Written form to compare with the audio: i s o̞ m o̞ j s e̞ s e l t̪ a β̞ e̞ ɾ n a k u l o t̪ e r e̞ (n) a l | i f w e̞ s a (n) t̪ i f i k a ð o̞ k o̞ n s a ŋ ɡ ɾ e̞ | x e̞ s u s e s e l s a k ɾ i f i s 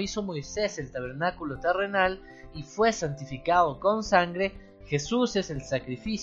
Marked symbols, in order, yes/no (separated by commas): yes, yes